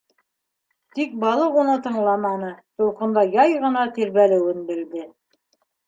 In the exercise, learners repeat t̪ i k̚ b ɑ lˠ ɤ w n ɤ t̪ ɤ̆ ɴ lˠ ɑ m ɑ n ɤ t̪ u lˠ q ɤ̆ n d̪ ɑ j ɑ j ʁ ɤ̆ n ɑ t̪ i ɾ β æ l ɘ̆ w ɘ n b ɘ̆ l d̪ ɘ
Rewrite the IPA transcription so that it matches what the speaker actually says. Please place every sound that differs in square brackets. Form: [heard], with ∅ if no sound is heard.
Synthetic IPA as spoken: t̪ i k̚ b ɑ lˠ ɤ [u] n ɤ t̪ ɤ̆ ɴ lˠ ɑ m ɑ n ɤ t̪ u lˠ q ɤ̆ n d̪ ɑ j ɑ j ʁ ɤ̆ n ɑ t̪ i ɾ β æ l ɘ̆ w ɘ n b ɘ̆ l d̪ ɘ

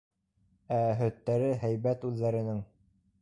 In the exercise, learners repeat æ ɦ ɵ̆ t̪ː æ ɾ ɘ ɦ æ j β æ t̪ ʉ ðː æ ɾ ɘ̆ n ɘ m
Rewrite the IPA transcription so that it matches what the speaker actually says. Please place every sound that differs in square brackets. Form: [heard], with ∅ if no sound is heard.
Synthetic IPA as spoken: æ ɦ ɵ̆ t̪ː æ ɾ ɘ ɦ æ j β æ t̪ ʉ ðː æ ɾ ɘ̆ n ɘ [ŋ]

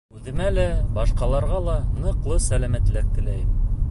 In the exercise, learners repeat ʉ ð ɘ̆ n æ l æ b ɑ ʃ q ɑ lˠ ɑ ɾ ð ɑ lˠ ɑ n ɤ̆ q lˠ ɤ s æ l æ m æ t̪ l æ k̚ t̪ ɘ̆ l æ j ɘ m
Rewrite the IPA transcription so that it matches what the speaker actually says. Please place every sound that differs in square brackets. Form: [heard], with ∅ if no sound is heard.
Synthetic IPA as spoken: ʉ ð ɘ̆ [m] æ l æ b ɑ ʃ q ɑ lˠ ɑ ɾ [ʁ] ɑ lˠ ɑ n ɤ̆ q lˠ ɤ s æ l æ m æ t̪ l æ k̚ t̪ ɘ̆ l æ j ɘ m

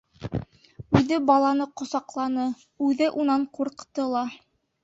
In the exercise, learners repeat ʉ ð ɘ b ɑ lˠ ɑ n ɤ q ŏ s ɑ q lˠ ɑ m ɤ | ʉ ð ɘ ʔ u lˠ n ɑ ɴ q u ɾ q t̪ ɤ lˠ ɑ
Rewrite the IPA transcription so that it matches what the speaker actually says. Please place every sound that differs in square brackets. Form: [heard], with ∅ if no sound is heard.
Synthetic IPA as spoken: ʉ ð ɘ b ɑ lˠ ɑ n ɤ q ŏ s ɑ q lˠ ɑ [n] ɤ | ʉ ð ɘ ʔ u [∅] n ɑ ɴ q u ɾ q t̪ ɤ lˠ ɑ

